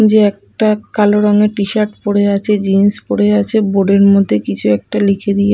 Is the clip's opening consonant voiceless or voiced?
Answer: voiced